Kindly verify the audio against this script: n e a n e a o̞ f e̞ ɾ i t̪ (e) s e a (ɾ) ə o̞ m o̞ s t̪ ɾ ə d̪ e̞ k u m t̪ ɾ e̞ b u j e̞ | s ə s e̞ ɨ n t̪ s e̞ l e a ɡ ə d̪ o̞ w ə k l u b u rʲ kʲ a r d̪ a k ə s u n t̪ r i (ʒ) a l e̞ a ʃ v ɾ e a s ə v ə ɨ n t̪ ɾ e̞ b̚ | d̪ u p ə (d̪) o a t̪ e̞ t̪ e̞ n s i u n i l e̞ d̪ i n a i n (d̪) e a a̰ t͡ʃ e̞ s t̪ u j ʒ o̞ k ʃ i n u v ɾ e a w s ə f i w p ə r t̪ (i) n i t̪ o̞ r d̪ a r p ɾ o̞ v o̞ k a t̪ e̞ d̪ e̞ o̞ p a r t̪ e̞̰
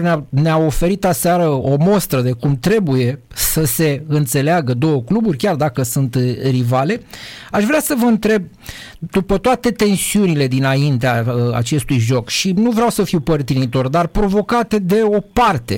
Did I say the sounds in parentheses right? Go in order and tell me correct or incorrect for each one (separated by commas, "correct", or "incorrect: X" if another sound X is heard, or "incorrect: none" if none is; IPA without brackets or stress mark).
incorrect: a, correct, incorrect: v, incorrect: t̪, incorrect: t̪, correct